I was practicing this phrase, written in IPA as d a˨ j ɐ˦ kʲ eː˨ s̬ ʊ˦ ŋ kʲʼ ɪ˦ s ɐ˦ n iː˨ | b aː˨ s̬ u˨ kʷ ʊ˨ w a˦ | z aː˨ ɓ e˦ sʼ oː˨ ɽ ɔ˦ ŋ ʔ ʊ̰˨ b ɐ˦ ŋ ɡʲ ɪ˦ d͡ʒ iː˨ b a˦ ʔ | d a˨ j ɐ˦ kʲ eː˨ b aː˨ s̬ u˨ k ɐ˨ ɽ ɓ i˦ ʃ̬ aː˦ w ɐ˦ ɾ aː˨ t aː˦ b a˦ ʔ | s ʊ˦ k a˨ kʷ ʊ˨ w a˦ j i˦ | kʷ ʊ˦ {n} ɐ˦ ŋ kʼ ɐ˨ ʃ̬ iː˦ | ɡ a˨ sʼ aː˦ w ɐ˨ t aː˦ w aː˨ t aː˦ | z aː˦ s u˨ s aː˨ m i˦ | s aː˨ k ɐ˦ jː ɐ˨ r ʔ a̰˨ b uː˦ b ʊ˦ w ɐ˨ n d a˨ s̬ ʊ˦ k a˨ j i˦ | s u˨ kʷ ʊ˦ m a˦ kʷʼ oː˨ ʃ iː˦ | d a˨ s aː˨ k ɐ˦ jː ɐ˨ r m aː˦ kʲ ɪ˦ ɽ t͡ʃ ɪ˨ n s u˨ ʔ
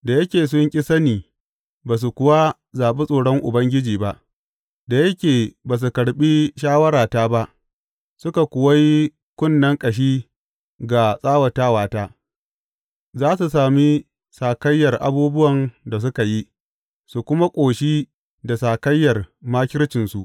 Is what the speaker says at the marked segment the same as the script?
no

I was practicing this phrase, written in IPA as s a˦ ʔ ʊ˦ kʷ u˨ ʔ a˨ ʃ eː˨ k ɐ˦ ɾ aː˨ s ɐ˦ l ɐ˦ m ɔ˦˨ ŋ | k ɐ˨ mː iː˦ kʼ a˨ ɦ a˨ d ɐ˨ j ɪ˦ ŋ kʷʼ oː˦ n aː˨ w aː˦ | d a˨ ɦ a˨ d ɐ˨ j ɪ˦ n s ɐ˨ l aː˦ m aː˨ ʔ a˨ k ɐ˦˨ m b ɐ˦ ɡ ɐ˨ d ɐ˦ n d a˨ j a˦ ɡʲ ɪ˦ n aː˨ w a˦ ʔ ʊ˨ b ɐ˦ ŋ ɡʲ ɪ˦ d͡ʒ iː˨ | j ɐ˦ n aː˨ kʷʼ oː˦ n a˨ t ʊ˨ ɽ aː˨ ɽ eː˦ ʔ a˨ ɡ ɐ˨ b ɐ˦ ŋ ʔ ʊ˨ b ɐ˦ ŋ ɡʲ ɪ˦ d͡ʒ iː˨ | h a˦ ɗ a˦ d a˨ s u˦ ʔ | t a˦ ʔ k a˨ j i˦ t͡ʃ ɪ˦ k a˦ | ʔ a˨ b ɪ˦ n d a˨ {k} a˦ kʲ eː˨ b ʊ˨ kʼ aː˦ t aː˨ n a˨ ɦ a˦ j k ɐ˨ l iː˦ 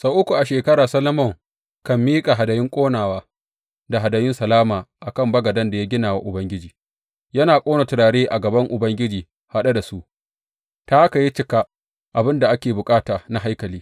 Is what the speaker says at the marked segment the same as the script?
no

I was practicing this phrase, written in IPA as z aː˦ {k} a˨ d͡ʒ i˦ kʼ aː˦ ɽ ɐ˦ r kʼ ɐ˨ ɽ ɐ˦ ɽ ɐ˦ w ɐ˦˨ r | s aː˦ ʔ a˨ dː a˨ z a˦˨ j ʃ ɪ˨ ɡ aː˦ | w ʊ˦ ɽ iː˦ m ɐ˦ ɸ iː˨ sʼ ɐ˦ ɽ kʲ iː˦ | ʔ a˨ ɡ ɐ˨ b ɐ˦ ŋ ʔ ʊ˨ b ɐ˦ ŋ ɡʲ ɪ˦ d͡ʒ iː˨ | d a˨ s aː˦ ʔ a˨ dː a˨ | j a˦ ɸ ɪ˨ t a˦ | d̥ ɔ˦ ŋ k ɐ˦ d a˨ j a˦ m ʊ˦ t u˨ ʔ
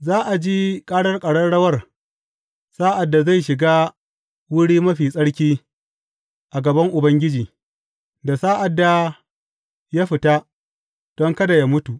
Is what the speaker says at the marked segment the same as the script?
no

